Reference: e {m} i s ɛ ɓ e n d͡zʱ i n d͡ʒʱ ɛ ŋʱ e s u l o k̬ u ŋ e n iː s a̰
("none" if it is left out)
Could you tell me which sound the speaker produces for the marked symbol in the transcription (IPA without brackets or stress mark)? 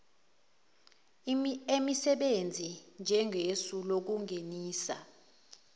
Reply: m